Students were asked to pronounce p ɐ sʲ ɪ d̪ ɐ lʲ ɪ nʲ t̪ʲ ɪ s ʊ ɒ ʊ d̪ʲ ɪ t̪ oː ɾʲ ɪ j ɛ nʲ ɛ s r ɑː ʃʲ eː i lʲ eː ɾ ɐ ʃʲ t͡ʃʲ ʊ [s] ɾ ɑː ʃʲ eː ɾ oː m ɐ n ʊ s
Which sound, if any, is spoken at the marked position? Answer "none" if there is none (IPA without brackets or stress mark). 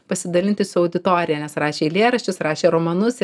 s